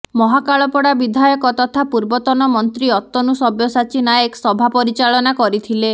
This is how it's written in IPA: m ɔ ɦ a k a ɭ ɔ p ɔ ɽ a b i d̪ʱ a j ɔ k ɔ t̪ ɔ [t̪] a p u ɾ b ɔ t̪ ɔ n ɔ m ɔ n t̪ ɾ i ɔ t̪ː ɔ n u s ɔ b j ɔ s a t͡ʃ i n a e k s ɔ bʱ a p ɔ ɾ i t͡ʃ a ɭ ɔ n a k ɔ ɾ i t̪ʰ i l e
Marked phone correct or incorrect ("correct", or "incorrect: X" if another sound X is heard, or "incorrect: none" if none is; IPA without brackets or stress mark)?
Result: incorrect: t̪ʰ